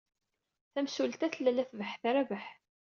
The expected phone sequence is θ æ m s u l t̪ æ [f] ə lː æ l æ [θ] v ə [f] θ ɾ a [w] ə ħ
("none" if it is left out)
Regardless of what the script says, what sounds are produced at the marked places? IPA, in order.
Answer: θ, θ, ħ, v

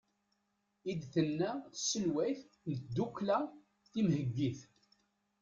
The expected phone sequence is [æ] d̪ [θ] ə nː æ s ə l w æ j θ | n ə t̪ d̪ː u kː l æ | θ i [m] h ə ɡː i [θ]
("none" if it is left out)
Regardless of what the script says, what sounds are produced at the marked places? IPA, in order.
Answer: i, θ, m, θ

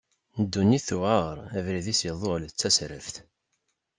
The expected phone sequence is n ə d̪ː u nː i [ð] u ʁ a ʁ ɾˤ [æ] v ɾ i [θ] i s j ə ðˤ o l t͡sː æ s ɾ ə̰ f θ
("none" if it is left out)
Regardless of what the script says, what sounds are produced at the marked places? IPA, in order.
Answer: θ, æ, ð

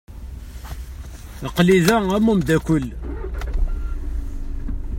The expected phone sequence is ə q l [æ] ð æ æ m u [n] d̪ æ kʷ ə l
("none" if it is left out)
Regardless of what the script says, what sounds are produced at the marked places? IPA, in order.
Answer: i, m

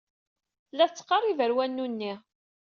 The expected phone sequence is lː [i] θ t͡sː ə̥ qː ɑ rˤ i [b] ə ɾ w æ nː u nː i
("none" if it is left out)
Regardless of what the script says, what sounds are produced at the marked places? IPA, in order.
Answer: æ, v

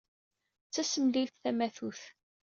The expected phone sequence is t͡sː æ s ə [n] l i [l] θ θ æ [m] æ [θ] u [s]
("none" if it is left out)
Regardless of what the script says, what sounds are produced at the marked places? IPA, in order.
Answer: m, l, m, θ, θ

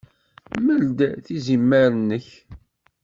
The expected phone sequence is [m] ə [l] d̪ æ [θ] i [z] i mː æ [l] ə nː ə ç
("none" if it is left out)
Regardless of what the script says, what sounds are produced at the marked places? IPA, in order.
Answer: m, l, θ, z, ɾ

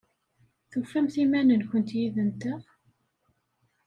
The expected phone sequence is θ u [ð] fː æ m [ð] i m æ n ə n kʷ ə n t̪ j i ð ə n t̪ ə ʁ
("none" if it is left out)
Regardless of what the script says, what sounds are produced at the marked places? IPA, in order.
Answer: none, θ

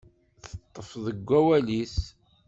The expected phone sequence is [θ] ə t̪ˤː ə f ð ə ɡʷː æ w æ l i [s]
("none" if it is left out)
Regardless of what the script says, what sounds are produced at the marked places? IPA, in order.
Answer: θ, s

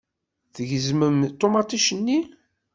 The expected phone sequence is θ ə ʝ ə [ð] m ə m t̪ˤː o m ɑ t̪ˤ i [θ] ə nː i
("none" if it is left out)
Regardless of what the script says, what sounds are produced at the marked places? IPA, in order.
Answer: z, ʃ

